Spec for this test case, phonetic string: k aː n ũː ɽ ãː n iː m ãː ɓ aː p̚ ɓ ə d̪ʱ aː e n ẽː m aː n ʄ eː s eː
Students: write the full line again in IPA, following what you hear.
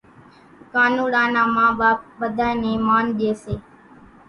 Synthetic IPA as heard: k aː n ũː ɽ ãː n aː m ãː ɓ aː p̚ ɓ ə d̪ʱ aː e n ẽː m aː n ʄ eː s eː